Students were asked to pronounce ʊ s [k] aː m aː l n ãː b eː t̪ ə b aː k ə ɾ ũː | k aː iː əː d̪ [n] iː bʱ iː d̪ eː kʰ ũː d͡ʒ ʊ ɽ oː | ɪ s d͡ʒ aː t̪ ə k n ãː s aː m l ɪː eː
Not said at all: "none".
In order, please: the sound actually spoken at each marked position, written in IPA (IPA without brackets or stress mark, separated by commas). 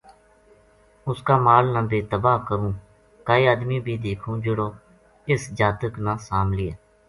k, m